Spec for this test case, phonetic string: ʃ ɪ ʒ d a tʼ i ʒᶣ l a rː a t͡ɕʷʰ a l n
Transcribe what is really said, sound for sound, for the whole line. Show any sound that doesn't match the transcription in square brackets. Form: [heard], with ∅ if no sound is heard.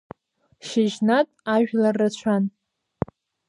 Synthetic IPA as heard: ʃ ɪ ʒ [n] a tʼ [a] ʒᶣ l a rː a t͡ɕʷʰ a [∅] n